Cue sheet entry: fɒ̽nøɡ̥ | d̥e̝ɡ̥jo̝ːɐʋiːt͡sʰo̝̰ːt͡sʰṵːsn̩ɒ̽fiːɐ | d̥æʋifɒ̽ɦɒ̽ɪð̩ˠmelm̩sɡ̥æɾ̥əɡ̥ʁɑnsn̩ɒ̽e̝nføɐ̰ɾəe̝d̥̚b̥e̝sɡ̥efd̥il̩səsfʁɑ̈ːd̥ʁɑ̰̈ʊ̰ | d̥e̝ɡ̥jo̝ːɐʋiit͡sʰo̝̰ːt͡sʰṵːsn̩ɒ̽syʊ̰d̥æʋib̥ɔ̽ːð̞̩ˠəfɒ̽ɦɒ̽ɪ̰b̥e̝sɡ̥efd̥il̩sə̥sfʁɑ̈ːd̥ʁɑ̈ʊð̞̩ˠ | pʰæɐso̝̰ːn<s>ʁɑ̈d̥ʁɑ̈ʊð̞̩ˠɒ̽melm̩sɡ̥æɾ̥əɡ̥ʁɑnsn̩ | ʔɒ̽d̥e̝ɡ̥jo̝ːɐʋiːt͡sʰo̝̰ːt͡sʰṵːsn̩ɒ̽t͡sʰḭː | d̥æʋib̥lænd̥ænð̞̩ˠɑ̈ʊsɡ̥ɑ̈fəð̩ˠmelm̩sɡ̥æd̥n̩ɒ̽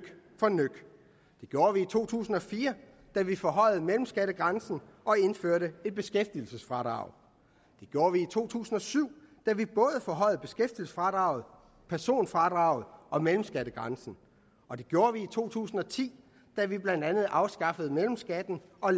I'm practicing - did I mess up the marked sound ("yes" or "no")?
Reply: yes